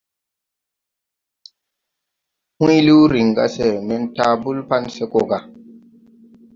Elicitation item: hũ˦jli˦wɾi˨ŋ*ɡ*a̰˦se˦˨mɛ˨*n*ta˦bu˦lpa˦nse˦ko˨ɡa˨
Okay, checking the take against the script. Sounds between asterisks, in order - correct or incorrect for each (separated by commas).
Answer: correct, correct